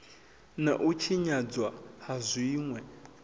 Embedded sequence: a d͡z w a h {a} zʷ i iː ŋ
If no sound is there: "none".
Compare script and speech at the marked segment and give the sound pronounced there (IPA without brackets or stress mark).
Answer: a